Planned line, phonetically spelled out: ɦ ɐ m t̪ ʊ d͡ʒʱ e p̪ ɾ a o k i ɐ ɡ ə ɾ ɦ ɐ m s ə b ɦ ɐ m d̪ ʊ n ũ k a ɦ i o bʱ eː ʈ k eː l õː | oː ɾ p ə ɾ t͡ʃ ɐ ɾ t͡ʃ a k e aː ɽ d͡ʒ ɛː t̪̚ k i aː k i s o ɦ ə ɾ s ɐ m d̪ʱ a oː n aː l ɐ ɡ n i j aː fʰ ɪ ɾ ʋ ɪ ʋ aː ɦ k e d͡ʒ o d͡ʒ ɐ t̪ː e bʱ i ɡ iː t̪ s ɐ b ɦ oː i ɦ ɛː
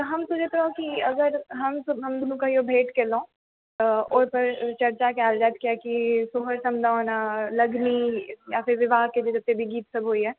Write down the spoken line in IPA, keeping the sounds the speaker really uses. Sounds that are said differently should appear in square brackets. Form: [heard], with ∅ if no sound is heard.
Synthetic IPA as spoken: ɦ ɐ m t̪ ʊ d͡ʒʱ e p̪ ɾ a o k i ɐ ɡ ə ɾ ɦ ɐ m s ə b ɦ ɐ m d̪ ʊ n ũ k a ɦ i o bʱ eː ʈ k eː l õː | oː ɾ p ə ɾ t͡ʃ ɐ ɾ t͡ʃ a k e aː [l] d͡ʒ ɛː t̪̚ k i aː k i s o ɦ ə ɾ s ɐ m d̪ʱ a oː n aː l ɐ ɡ n i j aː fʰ ɪ ɾ ʋ ɪ ʋ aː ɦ k e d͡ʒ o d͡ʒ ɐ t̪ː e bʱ i ɡ iː t̪ s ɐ b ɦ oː i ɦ ɛː